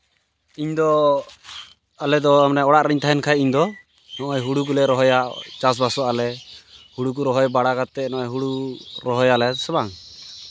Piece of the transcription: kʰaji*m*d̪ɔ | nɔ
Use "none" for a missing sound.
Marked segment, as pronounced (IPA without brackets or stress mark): ɲ